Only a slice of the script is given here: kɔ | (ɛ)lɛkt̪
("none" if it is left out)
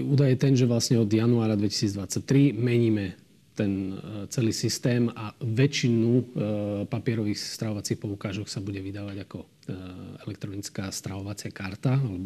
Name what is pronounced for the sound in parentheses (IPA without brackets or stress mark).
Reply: ɛ